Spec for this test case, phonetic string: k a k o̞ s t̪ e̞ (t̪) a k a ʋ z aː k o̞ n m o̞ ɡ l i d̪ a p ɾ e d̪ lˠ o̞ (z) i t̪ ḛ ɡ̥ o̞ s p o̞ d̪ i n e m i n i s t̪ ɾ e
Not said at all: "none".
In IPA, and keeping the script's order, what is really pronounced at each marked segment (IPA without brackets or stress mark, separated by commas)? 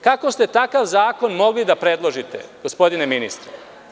t̪, ʒ